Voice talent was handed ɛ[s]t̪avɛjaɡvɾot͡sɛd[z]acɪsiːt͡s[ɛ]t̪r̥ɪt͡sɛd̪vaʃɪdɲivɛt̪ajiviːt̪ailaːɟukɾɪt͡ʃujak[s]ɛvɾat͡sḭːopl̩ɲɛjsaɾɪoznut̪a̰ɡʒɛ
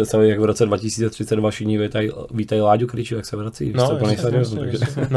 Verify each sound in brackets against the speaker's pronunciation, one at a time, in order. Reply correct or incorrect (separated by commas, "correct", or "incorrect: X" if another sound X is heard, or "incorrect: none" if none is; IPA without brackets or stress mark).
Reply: correct, incorrect: v, correct, correct